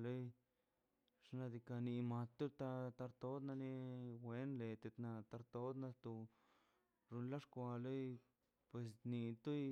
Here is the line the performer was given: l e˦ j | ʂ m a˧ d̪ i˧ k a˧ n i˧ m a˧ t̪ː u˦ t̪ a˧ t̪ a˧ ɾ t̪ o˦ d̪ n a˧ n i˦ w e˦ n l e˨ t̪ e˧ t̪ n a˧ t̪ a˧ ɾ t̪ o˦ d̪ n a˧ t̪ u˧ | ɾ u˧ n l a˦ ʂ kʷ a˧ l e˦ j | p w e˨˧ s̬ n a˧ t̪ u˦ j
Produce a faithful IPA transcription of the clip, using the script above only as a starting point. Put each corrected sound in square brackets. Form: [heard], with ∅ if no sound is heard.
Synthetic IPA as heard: l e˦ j | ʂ [n] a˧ d̪ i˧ k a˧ n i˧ m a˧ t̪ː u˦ t̪ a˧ t̪ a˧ ɾ t̪ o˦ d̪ n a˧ n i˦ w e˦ n l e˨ t̪ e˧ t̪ n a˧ t̪ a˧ ɾ t̪ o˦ d̪ n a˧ t̪ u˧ | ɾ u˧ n l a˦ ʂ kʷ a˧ l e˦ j | p w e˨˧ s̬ n [i˧] t̪ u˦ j